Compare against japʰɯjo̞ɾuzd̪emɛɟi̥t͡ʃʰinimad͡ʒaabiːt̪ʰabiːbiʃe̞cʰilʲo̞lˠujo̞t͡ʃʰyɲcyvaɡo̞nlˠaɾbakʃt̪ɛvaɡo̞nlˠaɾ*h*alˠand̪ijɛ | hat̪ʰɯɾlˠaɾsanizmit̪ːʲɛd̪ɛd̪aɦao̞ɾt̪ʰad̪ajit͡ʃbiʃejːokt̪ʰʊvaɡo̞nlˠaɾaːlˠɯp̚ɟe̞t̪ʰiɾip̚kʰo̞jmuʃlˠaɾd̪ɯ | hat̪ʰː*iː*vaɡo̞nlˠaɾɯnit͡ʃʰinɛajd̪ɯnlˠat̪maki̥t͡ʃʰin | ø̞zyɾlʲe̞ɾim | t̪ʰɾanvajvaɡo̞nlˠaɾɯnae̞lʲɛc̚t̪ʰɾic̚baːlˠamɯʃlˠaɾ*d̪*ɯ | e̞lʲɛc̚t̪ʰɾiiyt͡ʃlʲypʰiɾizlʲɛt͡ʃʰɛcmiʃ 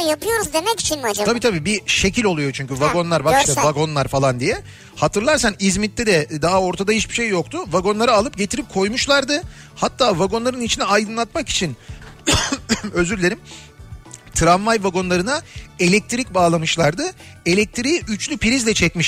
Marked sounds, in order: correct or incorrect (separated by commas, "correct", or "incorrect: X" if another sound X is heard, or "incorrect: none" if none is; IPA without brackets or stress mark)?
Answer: incorrect: f, incorrect: aː, correct